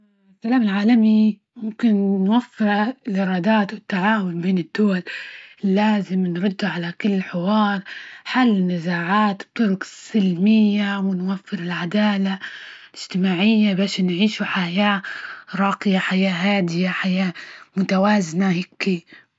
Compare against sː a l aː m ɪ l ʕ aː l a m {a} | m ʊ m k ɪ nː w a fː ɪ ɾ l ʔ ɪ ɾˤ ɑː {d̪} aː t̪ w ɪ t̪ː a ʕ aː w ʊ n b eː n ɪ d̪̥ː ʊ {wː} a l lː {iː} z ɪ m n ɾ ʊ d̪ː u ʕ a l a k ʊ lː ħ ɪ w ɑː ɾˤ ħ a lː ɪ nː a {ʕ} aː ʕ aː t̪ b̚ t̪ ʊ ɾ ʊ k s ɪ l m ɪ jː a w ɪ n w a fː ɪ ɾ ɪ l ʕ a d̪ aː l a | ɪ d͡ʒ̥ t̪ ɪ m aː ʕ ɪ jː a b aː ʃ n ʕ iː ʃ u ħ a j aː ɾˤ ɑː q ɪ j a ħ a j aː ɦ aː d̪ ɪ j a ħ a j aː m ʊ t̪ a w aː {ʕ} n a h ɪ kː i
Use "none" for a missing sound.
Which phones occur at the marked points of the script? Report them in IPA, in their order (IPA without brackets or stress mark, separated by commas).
i, d̪, w, aː, z, z